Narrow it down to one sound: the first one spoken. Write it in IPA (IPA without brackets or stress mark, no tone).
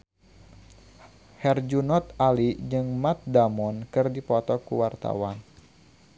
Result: h